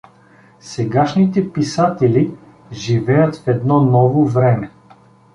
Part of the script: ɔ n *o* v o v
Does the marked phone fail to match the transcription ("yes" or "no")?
yes